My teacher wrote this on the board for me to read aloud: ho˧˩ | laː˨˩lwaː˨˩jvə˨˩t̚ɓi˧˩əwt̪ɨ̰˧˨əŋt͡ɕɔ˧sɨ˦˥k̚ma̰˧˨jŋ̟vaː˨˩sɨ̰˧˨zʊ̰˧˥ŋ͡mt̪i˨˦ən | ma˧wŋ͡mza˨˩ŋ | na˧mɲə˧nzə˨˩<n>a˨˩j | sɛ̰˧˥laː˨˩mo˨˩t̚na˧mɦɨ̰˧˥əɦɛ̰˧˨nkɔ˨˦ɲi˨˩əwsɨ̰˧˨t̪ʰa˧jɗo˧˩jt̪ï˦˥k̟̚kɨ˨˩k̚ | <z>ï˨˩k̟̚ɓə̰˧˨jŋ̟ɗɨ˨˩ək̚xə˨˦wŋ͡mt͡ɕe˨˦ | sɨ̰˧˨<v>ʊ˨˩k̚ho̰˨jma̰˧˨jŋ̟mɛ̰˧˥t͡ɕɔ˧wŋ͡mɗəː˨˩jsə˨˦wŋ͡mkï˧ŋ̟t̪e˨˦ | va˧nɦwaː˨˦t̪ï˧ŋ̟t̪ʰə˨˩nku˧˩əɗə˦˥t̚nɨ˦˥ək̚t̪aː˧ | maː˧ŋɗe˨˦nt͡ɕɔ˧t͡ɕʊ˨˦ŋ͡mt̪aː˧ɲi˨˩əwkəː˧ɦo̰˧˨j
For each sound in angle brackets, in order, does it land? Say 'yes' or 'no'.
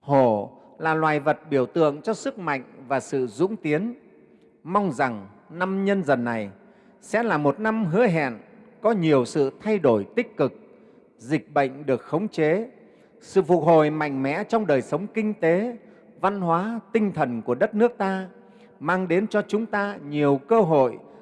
no, yes, no

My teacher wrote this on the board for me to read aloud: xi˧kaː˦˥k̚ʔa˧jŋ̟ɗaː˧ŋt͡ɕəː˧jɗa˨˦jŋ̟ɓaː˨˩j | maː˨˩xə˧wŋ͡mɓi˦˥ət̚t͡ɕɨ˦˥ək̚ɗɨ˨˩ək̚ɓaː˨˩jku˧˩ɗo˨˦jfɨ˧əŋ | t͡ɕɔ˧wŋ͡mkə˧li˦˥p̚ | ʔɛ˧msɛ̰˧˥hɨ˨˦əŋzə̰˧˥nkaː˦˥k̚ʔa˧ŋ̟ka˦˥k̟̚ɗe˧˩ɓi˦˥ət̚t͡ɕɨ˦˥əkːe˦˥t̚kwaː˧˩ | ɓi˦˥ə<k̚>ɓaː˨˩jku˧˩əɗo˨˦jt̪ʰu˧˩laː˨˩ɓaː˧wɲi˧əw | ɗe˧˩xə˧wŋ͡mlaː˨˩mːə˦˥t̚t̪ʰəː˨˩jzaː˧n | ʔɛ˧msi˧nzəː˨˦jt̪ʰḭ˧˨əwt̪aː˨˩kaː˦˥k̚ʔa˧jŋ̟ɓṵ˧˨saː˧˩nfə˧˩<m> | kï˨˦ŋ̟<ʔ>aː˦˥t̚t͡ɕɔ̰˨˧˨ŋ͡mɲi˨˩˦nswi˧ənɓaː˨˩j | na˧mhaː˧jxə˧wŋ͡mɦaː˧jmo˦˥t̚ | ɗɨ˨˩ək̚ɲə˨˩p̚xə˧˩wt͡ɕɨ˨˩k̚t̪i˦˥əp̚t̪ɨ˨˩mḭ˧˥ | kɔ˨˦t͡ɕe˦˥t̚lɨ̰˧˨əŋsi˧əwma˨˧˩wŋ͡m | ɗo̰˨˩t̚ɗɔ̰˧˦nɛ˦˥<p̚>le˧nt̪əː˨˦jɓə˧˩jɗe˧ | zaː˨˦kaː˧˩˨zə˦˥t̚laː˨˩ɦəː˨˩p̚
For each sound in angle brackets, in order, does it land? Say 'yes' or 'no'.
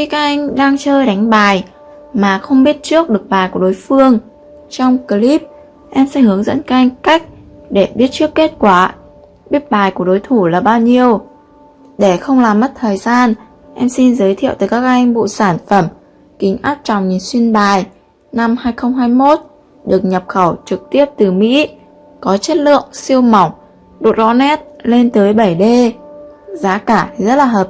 no, yes, yes, no

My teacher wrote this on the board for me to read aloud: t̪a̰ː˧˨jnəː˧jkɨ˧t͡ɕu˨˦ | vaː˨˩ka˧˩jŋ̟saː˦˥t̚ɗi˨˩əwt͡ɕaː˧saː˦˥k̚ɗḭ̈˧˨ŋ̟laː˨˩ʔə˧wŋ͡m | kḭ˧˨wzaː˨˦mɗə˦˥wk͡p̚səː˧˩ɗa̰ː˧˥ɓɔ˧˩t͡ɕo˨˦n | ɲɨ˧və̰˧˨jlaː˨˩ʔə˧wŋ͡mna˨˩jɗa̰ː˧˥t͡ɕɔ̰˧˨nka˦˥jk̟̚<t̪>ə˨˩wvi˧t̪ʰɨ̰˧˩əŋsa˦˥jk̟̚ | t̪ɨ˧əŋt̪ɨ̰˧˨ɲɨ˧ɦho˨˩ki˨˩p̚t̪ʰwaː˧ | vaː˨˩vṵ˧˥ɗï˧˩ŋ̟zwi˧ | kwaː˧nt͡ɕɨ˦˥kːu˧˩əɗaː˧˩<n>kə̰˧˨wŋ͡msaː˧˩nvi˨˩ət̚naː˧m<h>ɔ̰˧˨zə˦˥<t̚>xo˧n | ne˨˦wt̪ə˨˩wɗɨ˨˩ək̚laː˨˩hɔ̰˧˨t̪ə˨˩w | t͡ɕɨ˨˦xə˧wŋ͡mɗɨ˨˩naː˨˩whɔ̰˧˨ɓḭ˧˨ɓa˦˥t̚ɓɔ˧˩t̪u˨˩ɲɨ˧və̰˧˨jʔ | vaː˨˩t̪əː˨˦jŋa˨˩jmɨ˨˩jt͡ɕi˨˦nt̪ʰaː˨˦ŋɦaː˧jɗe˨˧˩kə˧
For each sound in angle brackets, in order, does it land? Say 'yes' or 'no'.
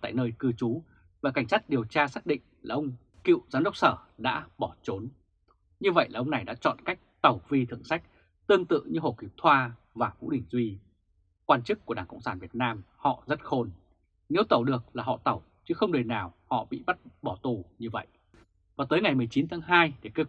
yes, no, yes, yes

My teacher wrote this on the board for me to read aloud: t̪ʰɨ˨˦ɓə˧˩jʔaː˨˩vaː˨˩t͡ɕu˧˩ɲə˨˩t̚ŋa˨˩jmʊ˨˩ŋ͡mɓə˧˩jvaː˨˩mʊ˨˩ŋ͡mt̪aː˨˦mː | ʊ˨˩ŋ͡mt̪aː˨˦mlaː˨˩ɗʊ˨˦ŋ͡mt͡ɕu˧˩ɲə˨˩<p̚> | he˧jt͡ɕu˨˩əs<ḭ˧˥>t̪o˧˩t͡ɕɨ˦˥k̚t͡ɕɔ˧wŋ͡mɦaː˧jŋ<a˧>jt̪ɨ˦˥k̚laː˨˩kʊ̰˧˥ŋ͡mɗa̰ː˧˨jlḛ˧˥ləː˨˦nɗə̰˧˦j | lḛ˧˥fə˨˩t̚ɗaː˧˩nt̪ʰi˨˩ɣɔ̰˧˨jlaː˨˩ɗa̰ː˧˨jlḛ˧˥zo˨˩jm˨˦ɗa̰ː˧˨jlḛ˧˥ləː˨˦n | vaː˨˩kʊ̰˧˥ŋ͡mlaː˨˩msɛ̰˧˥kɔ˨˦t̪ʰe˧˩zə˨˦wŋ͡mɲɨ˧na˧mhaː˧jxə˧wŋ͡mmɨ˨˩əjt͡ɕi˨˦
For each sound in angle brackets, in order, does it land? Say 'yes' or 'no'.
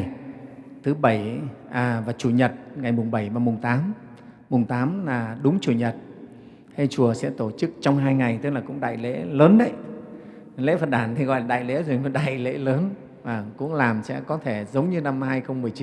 no, no, no

